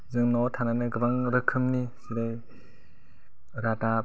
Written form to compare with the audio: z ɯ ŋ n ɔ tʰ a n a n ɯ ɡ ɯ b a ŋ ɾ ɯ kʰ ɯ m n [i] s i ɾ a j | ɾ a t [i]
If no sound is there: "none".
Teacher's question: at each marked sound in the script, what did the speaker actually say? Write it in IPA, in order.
i, a

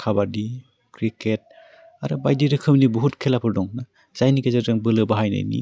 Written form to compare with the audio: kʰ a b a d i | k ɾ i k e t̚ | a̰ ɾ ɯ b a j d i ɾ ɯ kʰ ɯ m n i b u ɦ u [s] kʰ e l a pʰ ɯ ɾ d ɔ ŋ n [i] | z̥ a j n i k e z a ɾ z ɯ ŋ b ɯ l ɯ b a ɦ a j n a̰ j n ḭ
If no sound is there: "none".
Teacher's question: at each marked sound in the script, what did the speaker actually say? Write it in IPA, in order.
t, a

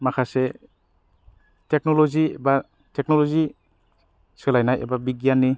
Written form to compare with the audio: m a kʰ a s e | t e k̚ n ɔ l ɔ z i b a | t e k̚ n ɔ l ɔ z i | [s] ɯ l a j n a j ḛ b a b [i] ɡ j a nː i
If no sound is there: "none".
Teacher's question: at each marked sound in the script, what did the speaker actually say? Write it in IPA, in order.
s, i

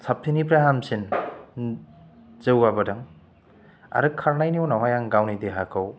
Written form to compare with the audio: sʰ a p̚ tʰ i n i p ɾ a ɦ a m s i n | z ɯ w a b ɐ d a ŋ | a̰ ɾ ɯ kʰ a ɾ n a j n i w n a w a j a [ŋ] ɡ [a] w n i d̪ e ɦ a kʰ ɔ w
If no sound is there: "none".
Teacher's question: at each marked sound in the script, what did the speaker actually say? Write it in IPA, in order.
ŋ, a

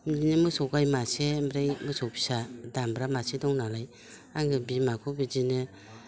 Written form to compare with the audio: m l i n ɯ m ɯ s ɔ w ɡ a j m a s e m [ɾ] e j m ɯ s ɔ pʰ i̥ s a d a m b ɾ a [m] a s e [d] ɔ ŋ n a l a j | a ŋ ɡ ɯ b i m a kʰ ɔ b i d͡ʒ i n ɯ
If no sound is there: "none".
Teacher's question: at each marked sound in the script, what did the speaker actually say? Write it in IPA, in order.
ɾ, m, d

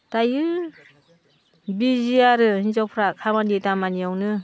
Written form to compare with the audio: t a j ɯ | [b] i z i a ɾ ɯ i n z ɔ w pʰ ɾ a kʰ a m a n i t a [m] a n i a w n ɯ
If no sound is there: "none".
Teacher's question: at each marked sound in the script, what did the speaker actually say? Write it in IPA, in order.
b, m

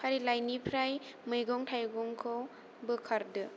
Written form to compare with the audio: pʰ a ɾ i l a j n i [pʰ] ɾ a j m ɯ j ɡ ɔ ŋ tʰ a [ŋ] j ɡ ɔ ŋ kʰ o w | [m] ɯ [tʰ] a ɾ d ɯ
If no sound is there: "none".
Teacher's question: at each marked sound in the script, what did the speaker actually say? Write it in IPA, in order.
pʰ, none, b, kʰ

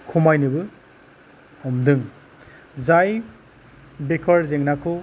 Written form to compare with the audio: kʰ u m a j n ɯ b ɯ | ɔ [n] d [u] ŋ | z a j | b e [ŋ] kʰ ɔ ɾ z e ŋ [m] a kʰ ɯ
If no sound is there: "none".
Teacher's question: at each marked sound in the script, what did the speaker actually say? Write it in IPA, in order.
m, ɯ, none, n

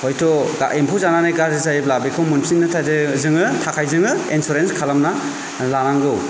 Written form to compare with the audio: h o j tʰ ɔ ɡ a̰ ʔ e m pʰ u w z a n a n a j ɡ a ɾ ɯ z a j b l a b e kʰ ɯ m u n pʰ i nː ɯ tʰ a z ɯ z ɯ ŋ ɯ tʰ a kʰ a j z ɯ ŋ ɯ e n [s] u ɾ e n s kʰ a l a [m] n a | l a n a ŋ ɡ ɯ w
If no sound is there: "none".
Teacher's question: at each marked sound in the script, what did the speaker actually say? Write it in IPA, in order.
s, m

